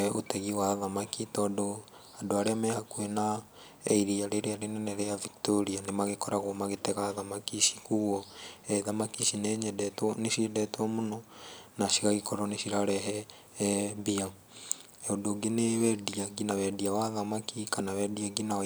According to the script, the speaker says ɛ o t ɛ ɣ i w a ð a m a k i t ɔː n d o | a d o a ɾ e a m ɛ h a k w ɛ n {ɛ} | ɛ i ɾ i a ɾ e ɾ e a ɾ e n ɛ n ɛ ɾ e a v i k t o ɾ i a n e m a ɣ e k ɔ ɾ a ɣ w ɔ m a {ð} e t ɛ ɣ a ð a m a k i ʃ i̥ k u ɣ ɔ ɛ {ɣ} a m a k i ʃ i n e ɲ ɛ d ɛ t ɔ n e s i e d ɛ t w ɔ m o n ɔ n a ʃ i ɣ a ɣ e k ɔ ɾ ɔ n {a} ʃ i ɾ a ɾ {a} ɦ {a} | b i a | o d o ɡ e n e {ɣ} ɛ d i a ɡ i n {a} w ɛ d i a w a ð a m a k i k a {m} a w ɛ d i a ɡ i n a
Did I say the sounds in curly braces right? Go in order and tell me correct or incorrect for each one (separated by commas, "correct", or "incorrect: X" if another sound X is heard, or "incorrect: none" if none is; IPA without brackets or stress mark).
incorrect: a, incorrect: ɣ, incorrect: ð, incorrect: e, incorrect: ɛ, incorrect: ɛ, incorrect: w, correct, incorrect: n